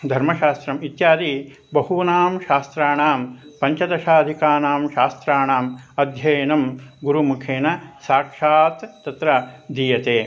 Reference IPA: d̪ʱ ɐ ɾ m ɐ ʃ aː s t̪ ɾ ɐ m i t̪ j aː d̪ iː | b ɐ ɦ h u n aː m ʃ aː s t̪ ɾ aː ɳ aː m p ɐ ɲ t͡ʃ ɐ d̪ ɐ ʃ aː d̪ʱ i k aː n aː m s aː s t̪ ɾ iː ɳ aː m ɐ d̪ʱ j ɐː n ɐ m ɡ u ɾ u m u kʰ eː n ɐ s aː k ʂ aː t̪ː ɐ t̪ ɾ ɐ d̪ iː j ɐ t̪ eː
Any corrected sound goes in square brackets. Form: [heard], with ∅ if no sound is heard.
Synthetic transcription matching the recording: d̪ʱ ɐ ɾ m ɐ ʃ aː s t̪ ɾ ɐ m i t̪ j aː d̪ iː | b ɐ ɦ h u n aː m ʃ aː s t̪ ɾ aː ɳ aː m p ɐ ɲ t͡ʃ ɐ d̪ ɐ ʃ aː d̪ʱ i k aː n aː m [ʃ] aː s t̪ ɾ [aː] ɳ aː m ɐ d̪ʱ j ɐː n ɐ m ɡ u ɾ u m u kʰ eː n ɐ s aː k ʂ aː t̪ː ɐ t̪ ɾ ɐ d̪ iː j ɐ t̪ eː